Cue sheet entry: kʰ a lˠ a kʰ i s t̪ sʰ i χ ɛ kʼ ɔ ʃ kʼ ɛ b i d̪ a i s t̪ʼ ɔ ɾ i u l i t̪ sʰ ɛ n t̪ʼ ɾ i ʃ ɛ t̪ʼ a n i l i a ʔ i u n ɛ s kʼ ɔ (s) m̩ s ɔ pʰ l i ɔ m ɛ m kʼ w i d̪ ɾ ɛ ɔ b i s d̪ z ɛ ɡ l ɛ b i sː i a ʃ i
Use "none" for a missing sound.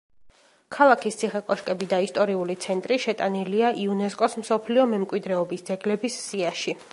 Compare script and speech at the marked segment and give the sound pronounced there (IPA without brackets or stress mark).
s